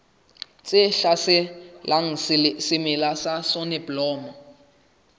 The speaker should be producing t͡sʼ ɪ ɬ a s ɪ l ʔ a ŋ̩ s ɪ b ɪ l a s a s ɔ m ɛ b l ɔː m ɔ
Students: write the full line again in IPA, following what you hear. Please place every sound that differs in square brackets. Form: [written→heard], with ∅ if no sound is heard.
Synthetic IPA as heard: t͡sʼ ɪ ɬ a s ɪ l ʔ a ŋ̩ s ɪ [b→m] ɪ l a s a s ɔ [m→n] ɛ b l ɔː m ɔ